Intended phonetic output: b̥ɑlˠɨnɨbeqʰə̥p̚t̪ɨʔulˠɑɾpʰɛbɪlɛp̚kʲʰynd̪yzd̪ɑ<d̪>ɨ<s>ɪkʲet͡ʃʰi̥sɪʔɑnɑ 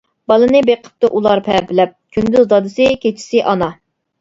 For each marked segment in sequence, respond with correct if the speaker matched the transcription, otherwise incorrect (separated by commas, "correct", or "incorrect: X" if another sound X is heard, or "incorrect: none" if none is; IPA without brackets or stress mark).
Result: correct, correct